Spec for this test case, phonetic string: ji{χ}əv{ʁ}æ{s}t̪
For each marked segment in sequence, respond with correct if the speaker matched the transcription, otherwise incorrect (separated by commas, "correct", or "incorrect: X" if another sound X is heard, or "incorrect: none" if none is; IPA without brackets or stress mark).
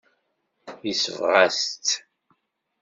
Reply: incorrect: s, correct, correct